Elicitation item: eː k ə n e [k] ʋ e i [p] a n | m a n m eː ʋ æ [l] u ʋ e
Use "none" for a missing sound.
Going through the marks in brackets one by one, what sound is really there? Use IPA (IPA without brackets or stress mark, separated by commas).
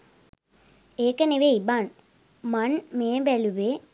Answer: none, b, l